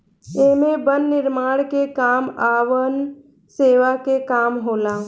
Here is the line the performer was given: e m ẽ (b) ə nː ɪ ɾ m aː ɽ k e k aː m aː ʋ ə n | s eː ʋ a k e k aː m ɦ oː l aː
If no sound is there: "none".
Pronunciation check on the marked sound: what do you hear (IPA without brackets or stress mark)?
b